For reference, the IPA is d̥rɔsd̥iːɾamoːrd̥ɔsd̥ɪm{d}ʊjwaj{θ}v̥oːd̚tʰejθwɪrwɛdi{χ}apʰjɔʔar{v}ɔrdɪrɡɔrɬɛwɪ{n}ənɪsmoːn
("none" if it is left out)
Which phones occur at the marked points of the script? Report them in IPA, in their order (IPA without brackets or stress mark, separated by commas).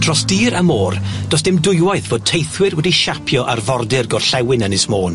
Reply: d, θ, ʃ, v, n